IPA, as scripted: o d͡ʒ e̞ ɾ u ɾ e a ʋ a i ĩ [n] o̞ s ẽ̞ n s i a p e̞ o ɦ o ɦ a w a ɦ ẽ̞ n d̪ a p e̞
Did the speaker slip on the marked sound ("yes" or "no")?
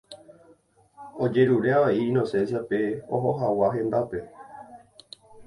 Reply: no